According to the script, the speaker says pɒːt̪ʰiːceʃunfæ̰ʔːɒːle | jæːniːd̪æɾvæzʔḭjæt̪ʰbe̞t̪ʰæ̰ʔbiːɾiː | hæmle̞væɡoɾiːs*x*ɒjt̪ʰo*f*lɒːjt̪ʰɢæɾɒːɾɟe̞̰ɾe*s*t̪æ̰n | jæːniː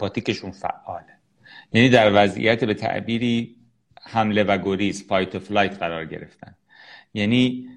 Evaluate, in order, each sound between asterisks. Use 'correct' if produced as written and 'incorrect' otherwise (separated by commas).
incorrect, correct, incorrect